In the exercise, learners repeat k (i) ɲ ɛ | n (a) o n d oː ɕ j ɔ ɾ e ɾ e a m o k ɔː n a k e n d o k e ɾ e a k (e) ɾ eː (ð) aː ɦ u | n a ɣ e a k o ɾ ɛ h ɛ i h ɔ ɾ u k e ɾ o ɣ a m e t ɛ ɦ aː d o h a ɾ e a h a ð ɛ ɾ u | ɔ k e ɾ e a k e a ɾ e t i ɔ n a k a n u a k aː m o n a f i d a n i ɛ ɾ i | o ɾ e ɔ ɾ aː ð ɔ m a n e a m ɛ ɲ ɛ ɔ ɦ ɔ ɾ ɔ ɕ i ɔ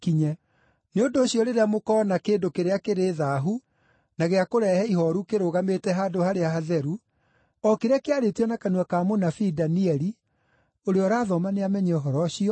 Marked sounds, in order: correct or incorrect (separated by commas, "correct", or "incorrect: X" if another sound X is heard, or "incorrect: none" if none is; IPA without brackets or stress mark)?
correct, incorrect: e, correct, correct